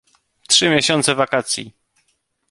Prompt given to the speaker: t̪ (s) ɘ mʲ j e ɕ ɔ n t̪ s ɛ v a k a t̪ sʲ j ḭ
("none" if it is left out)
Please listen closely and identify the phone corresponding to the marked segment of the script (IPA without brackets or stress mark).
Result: ʂ